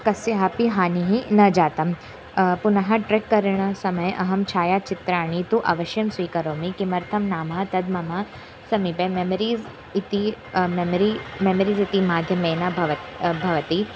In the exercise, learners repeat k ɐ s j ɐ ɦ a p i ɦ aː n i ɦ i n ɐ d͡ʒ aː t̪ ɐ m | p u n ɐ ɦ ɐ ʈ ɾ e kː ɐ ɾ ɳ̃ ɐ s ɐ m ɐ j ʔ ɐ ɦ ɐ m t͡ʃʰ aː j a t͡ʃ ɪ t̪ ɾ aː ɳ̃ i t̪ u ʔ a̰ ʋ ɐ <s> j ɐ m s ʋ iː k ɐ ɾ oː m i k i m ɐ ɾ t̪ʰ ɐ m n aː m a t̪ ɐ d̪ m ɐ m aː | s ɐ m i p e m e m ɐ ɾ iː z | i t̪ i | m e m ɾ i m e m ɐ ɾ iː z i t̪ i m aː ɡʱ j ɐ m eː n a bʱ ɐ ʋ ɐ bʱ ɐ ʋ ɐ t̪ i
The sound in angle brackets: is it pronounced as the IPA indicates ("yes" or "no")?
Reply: no